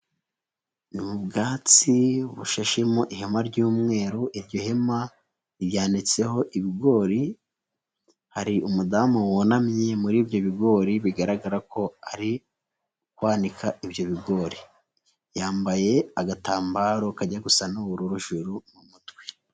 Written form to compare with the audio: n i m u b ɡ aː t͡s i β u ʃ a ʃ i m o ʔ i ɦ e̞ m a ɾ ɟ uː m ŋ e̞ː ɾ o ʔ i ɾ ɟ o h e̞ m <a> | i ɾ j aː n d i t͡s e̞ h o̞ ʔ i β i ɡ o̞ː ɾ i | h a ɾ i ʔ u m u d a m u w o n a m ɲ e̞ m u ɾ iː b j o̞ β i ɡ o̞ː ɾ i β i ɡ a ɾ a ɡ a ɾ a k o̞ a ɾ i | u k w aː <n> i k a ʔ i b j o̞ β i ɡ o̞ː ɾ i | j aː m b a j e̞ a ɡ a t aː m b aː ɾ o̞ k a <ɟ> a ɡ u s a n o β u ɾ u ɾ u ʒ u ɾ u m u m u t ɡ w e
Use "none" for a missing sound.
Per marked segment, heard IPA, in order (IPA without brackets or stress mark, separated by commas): a, n, ɟ